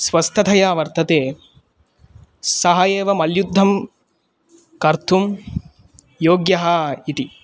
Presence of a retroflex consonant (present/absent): absent